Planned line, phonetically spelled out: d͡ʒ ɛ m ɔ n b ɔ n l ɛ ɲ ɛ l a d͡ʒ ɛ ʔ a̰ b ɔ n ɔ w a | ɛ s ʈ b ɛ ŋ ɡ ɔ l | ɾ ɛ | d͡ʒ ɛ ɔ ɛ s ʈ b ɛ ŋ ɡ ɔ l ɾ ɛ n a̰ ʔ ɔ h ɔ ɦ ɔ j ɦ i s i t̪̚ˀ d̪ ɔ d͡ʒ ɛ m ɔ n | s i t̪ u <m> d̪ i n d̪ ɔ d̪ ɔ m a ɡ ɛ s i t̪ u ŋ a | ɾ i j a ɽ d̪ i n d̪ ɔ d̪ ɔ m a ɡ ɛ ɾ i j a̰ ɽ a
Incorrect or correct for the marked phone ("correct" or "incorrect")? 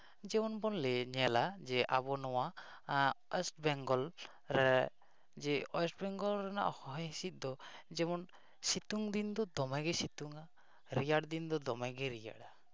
incorrect